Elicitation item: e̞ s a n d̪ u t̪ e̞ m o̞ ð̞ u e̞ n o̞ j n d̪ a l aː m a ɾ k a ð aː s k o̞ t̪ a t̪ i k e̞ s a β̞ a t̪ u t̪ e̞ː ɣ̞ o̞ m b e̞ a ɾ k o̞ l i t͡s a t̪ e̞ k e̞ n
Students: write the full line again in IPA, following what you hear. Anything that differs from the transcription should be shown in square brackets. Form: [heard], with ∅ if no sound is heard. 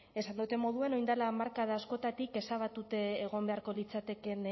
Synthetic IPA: e̞ s a n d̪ u t̪ e̞ m o̞ ð̞ u e̞ n o̞ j n d̪ a l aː m a ɾ k a ð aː s k o̞ t̪ a t̪ i k e̞ s a β̞ a t̪ u t̪ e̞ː ɣ̞ o̞ m b e̞ a ɾ k o̞ l i t͡s a t̪ e̞ k e̞ n